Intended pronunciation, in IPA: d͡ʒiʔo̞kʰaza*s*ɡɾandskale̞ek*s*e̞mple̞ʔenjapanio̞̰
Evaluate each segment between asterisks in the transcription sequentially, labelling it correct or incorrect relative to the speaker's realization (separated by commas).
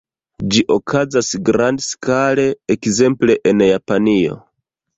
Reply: correct, incorrect